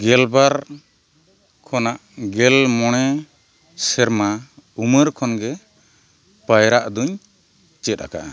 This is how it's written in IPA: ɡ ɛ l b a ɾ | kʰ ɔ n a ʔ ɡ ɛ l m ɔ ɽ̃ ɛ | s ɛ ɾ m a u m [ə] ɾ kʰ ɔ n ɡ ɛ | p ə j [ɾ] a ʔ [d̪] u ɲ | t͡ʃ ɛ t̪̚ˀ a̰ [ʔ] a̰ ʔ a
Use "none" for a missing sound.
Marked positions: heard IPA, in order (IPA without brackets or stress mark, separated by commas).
ə, ɾ, d̪, k